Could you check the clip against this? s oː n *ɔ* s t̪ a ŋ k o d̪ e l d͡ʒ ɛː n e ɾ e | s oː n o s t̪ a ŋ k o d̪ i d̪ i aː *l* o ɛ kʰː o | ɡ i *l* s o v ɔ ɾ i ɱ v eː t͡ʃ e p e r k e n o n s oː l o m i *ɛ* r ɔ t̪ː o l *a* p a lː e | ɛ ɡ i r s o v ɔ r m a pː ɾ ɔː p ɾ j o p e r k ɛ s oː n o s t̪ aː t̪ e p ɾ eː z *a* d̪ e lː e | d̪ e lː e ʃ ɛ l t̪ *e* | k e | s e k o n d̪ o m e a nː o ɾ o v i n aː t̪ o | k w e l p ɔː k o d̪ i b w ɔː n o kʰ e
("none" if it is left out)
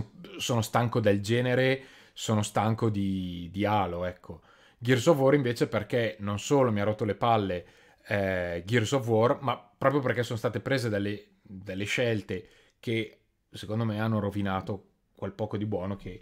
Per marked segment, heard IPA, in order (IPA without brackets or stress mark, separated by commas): o, l, r, a, e, e, e